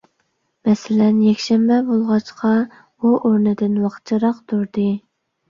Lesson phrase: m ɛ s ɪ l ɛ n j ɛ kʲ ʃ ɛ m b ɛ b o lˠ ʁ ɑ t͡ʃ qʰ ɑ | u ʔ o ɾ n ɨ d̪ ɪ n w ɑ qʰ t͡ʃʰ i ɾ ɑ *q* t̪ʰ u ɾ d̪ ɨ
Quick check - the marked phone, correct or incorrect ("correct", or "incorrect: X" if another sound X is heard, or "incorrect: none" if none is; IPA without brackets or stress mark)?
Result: correct